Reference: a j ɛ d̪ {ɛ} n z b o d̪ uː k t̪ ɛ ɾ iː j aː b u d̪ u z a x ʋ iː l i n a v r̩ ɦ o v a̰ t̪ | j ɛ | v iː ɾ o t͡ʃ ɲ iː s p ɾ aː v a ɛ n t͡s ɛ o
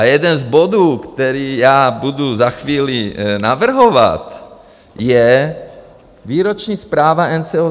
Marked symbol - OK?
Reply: yes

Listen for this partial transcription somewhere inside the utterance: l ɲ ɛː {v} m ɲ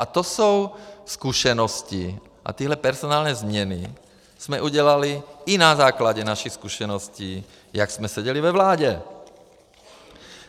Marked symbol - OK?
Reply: no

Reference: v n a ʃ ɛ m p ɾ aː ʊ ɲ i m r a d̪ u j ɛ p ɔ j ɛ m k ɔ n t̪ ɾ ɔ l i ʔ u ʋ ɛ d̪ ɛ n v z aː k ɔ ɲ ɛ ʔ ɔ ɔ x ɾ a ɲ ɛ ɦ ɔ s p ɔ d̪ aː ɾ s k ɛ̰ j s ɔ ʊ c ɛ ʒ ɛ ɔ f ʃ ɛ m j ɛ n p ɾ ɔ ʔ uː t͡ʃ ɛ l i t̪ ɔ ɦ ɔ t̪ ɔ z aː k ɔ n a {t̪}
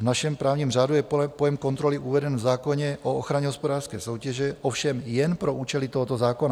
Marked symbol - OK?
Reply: no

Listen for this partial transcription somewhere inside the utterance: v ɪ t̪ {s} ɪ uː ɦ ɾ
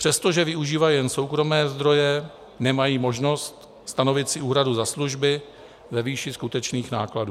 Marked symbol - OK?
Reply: yes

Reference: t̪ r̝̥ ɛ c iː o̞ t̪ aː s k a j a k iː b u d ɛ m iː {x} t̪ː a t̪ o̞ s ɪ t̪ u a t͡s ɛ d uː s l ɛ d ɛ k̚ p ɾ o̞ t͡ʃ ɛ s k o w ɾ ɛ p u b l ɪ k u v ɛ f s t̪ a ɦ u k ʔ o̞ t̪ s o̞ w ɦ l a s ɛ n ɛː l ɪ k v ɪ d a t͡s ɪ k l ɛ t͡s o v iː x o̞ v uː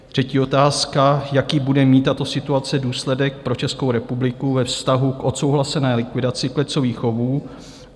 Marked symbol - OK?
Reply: no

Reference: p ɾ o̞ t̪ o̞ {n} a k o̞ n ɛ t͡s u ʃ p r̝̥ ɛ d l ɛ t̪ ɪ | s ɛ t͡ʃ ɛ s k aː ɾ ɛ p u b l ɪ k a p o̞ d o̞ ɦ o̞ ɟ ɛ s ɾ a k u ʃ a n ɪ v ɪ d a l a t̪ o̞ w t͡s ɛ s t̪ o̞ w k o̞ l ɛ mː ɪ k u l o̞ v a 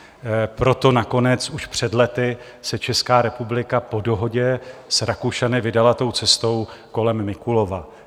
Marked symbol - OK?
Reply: yes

